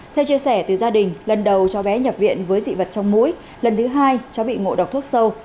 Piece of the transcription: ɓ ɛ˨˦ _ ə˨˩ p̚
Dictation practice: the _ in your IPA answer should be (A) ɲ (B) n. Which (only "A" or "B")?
A